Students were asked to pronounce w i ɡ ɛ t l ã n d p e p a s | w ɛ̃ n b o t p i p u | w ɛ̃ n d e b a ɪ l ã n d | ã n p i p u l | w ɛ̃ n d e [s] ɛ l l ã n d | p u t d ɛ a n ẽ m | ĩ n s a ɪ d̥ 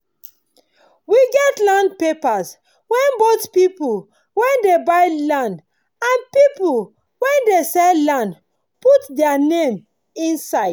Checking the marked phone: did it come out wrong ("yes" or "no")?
no